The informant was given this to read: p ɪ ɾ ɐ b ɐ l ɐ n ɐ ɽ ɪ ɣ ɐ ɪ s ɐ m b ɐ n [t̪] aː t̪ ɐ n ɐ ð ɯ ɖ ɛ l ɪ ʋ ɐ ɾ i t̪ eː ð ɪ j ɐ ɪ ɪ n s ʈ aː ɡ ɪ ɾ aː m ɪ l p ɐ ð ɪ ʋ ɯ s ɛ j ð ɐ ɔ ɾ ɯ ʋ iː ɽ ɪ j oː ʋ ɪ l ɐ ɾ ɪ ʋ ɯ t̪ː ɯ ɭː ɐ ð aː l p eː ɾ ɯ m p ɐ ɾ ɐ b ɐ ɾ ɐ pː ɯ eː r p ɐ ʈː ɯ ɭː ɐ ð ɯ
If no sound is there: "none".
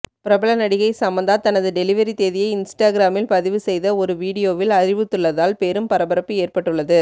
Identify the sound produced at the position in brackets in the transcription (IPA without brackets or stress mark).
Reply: d̪